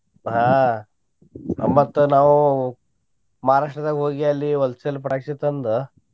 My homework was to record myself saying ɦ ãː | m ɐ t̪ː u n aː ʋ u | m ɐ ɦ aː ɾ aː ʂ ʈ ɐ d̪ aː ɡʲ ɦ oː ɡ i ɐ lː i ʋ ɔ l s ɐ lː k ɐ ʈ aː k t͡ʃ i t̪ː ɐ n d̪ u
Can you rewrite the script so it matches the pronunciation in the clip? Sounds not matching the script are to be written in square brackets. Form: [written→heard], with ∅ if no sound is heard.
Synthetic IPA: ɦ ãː | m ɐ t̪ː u n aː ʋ u | m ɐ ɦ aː ɾ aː ʂ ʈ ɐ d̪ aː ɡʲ ɦ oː ɡ i ɐ lː i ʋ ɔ l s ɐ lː [k→p] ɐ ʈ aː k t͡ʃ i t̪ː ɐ n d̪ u